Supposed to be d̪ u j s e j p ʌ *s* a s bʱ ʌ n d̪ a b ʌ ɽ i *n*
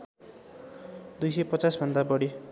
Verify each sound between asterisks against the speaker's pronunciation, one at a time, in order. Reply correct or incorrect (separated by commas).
incorrect, incorrect